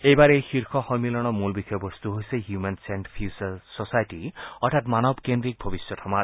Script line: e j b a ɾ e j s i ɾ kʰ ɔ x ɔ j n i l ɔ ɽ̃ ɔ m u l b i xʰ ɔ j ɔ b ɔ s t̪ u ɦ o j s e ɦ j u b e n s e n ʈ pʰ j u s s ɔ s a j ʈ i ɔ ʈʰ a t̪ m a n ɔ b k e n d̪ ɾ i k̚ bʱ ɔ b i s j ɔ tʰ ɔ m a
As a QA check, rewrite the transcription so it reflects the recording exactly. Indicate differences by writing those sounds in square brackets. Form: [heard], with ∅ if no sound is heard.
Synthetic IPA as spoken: e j b a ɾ e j [x] i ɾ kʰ ɔ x ɔ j [m] i l ɔ ɽ̃ ɔ m u l b i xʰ ɔ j ɔ b ɔ s t̪ u ɦ o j s e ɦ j u [m] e n s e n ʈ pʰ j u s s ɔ s a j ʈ i ɔ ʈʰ a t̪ m a n ɔ b k e n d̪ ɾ i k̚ bʱ ɔ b i s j ɔ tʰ ɔ m a